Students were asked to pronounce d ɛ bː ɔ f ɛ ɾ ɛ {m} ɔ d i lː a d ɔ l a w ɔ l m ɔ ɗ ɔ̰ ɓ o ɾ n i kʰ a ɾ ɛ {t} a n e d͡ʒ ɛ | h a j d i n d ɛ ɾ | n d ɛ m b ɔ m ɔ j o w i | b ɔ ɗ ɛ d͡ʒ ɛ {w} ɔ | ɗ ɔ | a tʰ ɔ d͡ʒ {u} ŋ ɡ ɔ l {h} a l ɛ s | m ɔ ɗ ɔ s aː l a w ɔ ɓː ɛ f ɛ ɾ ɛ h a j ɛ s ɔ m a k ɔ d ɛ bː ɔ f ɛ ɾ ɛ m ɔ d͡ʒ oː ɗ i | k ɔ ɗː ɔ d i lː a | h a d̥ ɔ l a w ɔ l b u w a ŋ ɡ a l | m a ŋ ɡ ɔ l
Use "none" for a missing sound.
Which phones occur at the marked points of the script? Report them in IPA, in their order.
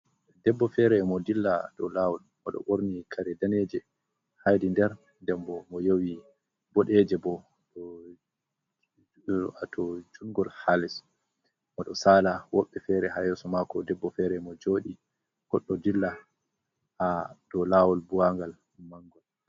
m, d, b, u, h

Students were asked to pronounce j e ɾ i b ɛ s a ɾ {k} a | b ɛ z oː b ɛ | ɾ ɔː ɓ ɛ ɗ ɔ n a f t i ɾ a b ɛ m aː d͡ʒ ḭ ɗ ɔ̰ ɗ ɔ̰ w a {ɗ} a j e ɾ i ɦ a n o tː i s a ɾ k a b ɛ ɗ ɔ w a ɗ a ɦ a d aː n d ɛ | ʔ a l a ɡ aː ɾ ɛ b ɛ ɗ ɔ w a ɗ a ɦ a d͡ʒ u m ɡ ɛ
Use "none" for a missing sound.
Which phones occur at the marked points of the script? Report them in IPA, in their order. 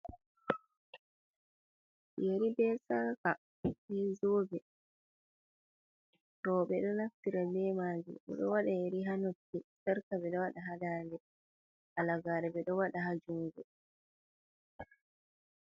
k, ɗ

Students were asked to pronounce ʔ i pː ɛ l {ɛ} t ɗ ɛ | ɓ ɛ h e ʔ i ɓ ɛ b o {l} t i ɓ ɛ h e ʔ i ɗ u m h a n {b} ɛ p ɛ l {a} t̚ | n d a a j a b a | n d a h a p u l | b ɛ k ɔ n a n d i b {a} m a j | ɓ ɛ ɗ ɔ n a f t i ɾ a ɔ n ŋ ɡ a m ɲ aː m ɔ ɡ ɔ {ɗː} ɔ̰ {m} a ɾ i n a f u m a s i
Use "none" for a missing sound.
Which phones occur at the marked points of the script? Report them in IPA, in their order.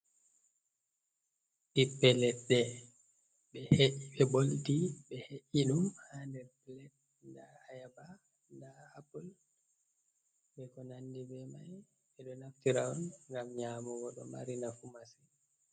ɛ, l, d, ɛ, ɛ, ɗ, m

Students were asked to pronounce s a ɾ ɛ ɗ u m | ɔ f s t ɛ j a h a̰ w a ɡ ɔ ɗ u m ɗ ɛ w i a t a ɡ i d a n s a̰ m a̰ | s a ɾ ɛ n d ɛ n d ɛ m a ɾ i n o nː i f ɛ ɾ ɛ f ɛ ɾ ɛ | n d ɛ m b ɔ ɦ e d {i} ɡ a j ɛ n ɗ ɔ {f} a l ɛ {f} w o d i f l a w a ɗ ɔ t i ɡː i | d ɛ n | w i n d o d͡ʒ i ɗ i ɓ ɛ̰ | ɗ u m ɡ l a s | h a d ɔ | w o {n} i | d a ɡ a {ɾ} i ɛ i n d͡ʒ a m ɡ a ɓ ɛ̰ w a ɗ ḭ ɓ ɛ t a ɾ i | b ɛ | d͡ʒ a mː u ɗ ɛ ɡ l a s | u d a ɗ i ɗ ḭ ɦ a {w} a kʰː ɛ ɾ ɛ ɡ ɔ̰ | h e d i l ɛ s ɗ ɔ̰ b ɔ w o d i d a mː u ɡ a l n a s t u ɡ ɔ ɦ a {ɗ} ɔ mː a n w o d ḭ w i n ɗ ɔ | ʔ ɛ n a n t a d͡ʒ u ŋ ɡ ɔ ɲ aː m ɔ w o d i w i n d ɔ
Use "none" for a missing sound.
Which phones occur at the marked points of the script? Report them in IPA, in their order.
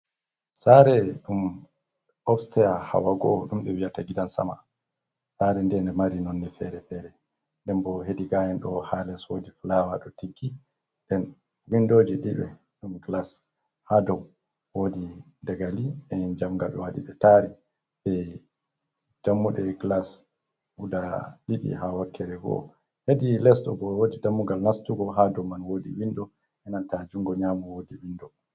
i, h, s, d, l, w, d

